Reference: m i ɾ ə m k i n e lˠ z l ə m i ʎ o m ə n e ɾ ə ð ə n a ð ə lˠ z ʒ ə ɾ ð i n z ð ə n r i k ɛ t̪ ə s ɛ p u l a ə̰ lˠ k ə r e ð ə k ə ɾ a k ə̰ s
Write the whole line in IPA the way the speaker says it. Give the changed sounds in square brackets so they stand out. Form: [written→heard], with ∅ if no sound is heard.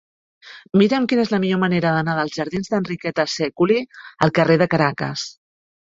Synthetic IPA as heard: m i ɾ ə m k i n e [lˠ→∅] z l ə m i ʎ o m ə n e ɾ ə ð ə n a ð ə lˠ z ʒ ə ɾ ð i n z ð ə n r i k ɛ t̪ ə s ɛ [p→k] u l [a→i] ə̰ lˠ k ə r e ð ə k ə ɾ a k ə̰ s